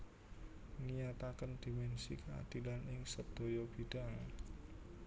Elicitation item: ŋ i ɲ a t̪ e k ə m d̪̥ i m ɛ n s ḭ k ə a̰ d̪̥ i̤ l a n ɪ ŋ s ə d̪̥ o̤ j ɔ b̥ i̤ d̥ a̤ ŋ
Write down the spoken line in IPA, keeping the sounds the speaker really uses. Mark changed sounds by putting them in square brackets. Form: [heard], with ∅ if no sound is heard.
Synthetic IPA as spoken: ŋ i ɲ a t̪ [a] k ə [n] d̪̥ i m ɛ n s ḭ k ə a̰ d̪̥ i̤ l a n ɪ ŋ s ə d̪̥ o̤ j ɔ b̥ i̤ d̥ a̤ ŋ